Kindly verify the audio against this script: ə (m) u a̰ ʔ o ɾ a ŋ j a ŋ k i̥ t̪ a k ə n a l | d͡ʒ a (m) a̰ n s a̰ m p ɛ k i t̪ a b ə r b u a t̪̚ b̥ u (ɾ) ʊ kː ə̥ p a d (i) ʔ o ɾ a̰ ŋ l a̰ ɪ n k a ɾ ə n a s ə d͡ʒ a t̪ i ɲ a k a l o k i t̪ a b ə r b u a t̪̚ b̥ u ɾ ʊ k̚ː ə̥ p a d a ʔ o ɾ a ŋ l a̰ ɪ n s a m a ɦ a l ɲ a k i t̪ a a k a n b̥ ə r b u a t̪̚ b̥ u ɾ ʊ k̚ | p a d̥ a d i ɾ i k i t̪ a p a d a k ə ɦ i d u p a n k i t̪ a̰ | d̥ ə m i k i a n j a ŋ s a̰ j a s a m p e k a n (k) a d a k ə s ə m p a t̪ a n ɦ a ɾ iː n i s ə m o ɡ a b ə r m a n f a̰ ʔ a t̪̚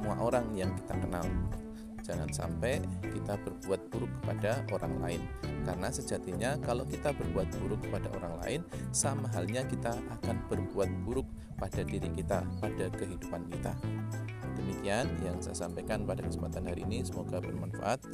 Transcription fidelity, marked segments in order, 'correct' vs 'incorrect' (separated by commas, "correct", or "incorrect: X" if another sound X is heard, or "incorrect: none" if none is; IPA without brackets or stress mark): correct, incorrect: ŋ, correct, incorrect: a, incorrect: p